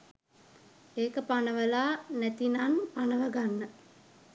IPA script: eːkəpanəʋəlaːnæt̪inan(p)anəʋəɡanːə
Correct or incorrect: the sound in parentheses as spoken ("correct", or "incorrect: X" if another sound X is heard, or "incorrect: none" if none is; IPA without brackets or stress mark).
correct